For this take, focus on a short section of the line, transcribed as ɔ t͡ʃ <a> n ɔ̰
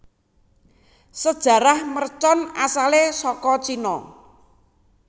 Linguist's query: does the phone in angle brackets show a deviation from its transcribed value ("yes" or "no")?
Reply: yes